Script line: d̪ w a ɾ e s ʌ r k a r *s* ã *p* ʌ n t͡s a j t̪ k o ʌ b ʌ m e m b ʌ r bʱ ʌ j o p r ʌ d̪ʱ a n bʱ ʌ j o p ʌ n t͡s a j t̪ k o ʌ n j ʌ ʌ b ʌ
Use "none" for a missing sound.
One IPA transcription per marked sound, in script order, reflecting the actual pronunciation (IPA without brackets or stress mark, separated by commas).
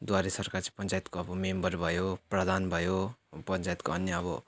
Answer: t͡s, p